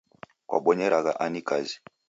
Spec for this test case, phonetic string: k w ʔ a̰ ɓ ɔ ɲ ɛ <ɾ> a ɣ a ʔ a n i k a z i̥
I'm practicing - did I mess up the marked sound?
no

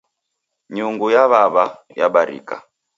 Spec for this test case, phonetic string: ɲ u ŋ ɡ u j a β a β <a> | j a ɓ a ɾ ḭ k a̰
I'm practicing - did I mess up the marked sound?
no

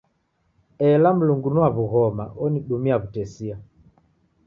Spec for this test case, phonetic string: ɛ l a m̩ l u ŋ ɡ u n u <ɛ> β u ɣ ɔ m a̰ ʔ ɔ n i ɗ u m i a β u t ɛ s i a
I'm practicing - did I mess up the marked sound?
yes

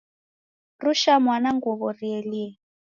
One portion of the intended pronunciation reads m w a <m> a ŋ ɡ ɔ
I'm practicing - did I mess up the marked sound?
yes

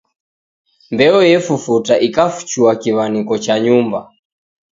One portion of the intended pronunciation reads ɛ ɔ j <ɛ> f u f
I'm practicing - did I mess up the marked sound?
no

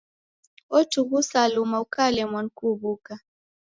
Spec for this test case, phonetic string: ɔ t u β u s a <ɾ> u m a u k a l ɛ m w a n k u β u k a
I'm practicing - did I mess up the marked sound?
yes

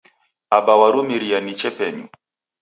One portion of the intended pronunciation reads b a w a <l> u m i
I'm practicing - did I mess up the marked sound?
yes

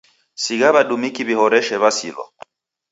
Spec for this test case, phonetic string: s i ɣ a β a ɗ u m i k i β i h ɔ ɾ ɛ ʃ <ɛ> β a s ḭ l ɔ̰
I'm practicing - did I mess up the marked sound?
no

